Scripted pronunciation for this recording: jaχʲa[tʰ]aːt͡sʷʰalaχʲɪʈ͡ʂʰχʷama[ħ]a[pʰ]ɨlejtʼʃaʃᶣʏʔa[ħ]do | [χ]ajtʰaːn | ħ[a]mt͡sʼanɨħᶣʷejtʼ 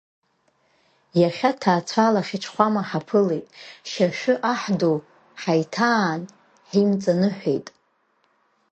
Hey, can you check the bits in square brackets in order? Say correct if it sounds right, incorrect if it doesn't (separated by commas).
correct, correct, correct, correct, incorrect, incorrect